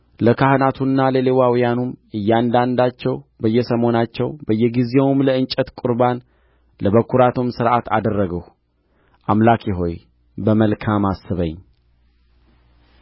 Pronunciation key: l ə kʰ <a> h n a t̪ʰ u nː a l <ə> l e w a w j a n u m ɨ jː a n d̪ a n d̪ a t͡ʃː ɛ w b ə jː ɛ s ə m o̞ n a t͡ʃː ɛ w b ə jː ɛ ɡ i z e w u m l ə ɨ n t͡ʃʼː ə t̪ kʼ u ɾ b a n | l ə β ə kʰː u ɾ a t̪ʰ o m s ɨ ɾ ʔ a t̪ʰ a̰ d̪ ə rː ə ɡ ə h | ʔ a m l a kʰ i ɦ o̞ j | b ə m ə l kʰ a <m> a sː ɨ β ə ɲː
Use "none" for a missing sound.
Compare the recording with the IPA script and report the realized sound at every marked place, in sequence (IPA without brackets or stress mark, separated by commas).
a, ə, m